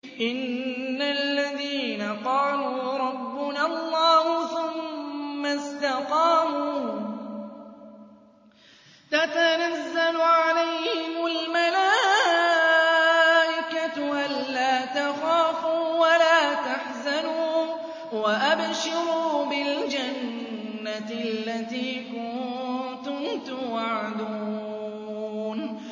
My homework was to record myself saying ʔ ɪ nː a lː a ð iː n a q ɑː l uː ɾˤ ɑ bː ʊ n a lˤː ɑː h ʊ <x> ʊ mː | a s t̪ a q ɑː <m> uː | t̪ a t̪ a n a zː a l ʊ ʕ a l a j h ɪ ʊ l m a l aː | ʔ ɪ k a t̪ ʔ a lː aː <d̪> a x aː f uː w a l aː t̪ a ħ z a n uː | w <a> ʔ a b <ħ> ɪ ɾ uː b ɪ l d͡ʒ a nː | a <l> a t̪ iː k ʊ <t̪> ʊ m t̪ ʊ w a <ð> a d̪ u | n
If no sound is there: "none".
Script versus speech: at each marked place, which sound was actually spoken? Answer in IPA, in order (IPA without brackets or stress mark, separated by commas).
θ, m, t̪, a, ʃ, lː, t̪, ʕ